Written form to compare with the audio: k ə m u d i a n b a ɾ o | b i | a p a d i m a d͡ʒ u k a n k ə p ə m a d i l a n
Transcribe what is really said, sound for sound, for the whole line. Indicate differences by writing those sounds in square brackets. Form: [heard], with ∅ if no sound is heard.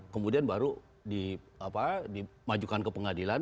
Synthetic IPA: k ə m u d i a n b a ɾ [u] | [d] i | a p a d i m a d͡ʒ u k a n k ə p ə [ŋ] a d i l a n